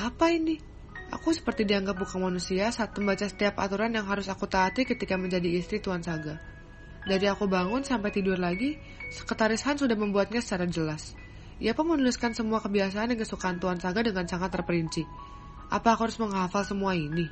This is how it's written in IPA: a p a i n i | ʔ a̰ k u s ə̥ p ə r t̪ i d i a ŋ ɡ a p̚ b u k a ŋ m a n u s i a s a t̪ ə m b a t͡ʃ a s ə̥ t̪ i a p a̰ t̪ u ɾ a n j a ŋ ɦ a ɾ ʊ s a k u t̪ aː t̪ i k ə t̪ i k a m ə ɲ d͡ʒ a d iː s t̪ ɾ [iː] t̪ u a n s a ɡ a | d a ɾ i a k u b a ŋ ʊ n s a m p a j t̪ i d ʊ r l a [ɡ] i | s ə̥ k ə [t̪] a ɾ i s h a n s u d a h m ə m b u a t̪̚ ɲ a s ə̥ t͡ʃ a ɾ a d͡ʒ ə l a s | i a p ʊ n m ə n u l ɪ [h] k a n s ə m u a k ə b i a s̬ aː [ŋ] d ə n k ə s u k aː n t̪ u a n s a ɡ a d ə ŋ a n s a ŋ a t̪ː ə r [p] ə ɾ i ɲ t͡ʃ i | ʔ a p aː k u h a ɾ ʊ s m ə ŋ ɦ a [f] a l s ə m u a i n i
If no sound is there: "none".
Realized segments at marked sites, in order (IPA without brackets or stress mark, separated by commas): i, ɡ, t̪, s, n, p, f